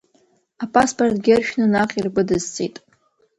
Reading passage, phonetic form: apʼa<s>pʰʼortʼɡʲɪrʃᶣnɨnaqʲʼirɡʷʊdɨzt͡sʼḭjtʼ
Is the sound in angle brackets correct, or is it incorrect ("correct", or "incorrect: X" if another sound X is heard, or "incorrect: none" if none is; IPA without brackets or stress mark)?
correct